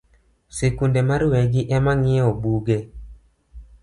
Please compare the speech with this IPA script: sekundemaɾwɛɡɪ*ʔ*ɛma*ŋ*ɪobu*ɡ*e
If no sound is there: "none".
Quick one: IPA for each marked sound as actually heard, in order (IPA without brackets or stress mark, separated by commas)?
ʔ, ŋ, ɡ